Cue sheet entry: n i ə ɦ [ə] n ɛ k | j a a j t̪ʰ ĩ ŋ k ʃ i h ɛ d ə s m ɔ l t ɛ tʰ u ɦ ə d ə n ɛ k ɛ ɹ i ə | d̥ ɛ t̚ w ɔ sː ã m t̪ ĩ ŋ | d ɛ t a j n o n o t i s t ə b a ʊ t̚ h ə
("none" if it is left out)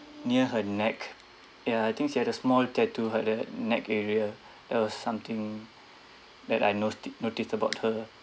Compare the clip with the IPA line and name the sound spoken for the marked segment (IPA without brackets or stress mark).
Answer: ə